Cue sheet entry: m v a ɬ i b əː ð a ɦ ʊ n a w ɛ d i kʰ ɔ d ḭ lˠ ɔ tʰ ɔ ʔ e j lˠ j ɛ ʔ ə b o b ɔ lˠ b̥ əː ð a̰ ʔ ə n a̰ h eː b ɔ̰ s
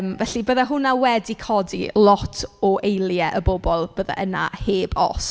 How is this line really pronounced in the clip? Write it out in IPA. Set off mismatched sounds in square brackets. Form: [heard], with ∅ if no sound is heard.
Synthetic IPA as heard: m v [ɛ] ɬ i b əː ð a ɦ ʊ n a w ɛ d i kʰ ɔ d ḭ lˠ ɔ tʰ ɔ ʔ e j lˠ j ɛ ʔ ə b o b ɔ lˠ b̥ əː ð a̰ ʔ ə n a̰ h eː b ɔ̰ s